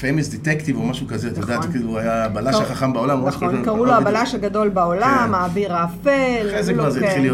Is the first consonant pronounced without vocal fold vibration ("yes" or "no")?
yes